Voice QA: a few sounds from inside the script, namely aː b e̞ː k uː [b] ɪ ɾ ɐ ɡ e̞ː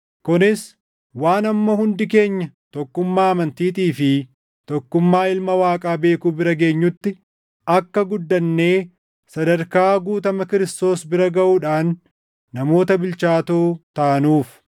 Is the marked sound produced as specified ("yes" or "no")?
yes